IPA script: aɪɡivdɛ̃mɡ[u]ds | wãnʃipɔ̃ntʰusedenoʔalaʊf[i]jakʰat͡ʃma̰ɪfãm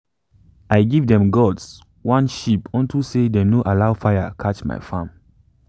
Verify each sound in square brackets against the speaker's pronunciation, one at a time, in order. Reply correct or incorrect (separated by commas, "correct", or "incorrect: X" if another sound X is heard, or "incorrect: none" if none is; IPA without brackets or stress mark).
incorrect: ɔ, incorrect: a